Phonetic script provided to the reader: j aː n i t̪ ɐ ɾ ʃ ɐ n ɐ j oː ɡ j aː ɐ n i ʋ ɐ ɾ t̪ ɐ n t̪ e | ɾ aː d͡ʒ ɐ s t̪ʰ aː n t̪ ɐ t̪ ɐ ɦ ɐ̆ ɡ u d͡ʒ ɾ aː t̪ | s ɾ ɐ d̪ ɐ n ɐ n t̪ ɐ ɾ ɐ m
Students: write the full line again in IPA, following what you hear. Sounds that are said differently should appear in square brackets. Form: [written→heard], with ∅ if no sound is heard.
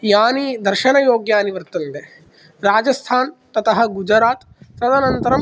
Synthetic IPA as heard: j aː n i [t̪→d̪] ɐ ɾ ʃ ɐ n ɐ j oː ɡ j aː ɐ n i ʋ ɐ ɾ t̪ ɐ n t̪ e | ɾ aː d͡ʒ ɐ s t̪ʰ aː n t̪ ɐ t̪ ɐ ɦ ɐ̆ ɡ u d͡ʒ ɾ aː t̪ | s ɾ ɐ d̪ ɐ n ɐ n t̪ ɐ ɾ ɐ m